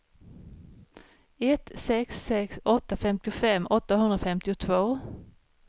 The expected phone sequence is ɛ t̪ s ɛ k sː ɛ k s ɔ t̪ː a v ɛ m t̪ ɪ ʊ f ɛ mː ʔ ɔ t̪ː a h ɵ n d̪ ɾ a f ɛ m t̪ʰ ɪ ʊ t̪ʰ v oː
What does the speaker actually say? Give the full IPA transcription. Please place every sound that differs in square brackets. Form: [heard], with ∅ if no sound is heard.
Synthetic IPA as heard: ɛ t̪ s ɛ k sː ɛ k s ɔ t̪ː a [f] ɛ m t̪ ɪ ʊ f ɛ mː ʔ ɔ t̪ː a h ɵ n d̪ ɾ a f ɛ m [t̪] ɪ ʊ t̪ʰ v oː